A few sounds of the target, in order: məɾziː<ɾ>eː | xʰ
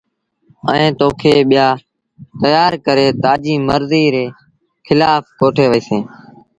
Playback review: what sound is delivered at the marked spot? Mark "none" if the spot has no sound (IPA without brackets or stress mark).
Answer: ɾ